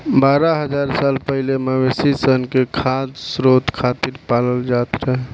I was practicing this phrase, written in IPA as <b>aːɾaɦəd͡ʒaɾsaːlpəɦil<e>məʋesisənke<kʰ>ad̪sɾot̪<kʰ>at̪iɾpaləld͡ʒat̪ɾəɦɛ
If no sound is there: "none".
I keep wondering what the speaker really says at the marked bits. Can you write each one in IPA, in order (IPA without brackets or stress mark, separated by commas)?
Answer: b, e, kʰ, kʰ